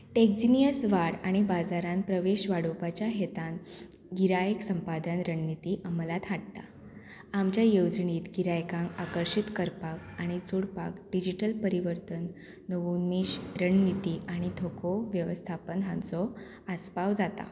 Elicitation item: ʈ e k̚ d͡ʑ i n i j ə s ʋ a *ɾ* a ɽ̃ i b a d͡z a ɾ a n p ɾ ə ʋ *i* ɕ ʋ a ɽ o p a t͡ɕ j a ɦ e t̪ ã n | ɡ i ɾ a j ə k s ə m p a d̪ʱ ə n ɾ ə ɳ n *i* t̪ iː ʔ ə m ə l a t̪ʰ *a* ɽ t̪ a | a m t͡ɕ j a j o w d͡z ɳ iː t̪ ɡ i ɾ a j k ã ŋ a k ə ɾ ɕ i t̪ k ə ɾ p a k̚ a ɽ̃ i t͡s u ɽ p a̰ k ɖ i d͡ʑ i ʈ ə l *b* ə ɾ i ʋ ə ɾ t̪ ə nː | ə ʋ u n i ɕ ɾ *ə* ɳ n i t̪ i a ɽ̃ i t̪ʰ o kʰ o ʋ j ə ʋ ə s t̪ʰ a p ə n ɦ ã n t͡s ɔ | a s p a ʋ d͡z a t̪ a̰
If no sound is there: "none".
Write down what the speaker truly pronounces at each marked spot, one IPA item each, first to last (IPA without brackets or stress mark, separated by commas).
ɽ, e, i, a, p, ə